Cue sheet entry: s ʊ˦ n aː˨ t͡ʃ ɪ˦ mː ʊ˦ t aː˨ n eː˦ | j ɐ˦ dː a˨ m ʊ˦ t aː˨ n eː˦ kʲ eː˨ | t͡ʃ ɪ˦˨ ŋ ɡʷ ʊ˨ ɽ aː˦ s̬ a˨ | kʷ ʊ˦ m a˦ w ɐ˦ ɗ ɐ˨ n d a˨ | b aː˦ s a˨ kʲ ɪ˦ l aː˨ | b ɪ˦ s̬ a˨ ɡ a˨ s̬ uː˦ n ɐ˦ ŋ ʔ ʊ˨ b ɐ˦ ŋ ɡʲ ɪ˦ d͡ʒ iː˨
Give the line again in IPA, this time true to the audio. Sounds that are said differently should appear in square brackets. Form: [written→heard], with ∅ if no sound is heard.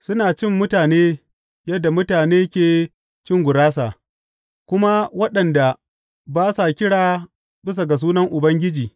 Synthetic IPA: s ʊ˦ n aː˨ t͡ʃ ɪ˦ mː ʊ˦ t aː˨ n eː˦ | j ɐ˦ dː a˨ m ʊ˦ t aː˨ n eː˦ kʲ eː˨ | t͡ʃ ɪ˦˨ ŋ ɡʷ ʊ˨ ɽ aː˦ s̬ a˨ | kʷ ʊ˦ m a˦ w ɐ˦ ɗ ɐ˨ n d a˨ | b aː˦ s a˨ kʲ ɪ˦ [l→ɽ] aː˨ | b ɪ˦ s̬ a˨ ɡ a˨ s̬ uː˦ n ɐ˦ ŋ ʔ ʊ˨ b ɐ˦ ŋ ɡʲ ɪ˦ d͡ʒ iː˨